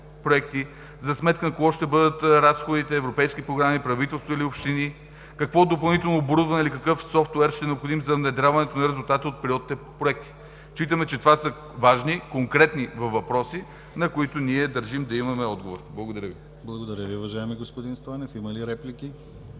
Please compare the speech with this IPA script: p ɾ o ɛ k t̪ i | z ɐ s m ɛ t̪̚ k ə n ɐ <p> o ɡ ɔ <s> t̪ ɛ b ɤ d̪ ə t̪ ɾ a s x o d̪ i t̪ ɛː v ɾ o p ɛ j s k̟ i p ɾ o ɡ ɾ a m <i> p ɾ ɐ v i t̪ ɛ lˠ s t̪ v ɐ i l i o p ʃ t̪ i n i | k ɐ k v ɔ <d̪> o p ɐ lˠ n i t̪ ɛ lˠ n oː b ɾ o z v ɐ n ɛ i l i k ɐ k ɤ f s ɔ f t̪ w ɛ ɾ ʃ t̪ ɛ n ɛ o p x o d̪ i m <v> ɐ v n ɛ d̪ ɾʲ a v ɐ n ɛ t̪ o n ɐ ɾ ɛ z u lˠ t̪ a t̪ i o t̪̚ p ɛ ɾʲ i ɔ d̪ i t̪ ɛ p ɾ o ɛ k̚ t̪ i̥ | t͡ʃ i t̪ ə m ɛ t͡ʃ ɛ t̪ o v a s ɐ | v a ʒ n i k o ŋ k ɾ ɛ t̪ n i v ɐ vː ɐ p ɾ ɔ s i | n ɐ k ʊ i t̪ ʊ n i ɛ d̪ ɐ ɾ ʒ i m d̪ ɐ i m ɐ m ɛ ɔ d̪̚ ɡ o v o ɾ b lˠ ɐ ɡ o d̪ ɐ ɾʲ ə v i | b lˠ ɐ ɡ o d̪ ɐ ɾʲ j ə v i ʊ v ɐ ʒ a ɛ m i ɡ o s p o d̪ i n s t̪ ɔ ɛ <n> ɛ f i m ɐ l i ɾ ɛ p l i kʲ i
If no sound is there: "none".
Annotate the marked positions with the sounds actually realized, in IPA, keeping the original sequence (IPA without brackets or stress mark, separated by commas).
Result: k, ʃ, i, d̪, z, n